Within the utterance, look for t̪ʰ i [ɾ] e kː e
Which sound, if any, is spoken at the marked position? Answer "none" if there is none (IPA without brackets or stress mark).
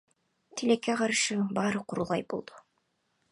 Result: l